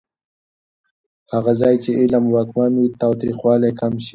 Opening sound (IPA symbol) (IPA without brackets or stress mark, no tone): h